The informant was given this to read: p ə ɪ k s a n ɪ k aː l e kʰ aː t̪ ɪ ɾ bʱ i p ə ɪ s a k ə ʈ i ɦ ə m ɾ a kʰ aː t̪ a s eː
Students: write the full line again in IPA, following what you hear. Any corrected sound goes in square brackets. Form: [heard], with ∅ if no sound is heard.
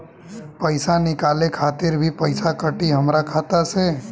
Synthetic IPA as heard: p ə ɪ [∅] s a n ɪ k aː l e kʰ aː t̪ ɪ ɾ bʱ i p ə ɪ s a k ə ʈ i ɦ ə m ɾ a kʰ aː t̪ a s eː